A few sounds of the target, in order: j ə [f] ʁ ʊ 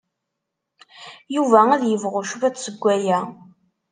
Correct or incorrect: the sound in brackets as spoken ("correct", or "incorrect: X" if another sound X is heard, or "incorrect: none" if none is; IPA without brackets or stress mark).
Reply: incorrect: v